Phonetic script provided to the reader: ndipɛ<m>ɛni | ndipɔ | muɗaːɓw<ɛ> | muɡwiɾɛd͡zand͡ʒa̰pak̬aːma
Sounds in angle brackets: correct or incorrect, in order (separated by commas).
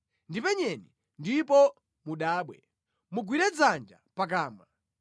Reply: incorrect, correct